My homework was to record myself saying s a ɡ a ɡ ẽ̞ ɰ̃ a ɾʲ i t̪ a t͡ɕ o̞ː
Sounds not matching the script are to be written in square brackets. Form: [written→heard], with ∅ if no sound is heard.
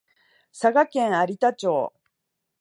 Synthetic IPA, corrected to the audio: s a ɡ a [ɡ→k] ẽ̞ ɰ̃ a ɾʲ i t̪ a t͡ɕ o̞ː